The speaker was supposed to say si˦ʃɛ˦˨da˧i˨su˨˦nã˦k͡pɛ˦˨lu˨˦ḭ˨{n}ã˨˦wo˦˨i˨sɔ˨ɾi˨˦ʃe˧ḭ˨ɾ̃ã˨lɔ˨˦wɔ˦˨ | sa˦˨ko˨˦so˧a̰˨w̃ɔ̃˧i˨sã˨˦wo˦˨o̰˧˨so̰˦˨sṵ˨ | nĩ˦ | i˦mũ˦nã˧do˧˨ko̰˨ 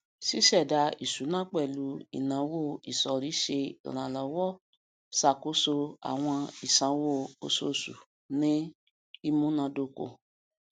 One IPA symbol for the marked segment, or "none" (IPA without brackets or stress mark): n